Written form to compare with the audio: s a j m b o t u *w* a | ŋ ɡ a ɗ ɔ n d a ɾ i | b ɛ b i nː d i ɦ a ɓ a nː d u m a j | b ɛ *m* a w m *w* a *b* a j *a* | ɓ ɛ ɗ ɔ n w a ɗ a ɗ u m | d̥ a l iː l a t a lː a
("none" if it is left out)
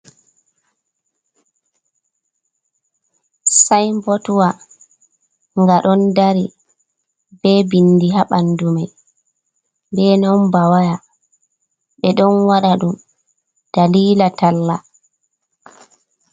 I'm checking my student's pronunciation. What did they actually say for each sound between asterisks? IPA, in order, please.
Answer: w, n, b, w, a

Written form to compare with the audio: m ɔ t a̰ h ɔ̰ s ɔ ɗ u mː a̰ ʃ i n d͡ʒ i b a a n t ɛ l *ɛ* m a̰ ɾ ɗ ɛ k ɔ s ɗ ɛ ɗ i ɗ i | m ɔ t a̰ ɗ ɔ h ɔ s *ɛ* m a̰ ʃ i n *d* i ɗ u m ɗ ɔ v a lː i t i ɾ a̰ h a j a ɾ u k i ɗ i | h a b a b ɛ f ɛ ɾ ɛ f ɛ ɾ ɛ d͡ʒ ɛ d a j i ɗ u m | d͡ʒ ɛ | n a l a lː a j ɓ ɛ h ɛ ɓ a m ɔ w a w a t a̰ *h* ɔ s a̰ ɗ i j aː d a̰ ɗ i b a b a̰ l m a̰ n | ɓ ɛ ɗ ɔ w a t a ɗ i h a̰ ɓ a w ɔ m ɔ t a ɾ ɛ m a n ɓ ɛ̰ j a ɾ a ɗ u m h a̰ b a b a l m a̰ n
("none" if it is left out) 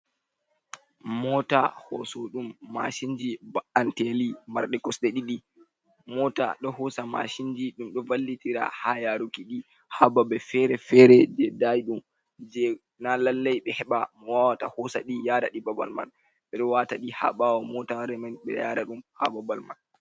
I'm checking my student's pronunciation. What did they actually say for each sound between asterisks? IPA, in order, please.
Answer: i, a, d͡ʒ, h

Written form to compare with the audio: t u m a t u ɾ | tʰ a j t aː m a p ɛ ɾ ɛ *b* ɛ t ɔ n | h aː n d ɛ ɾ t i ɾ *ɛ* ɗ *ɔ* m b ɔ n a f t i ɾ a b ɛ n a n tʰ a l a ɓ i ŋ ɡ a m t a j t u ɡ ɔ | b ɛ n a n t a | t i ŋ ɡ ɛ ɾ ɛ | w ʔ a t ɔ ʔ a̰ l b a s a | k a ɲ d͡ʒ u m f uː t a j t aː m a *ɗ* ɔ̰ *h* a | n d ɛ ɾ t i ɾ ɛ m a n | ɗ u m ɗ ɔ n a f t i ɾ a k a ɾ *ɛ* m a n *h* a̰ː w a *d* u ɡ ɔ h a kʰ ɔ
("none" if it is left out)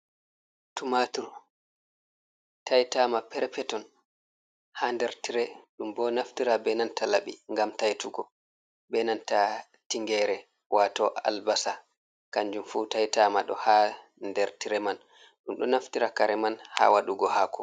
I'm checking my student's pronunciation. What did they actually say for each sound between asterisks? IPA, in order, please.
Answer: p, ɛ, u, ɗ, h, ɛ, h, ɗ

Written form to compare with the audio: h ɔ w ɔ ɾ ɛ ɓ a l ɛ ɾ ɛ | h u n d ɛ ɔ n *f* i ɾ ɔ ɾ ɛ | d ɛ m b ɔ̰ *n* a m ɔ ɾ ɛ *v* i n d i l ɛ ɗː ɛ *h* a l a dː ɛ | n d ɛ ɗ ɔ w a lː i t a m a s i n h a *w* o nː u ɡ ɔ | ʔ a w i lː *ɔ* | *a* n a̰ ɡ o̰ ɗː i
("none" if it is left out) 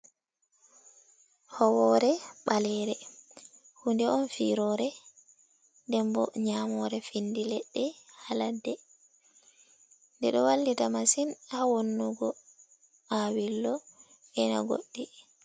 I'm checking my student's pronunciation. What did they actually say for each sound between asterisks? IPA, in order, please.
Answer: f, ɲ, f, h, w, ɔ, ɛ

